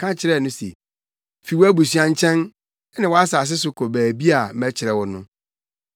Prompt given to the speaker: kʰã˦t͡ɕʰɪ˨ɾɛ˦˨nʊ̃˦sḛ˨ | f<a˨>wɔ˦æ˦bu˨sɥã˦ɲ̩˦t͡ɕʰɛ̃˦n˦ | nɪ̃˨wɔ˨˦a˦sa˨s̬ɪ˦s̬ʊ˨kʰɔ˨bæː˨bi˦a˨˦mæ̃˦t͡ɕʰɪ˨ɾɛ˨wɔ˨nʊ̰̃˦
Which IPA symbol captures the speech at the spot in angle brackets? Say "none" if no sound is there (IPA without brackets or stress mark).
i˨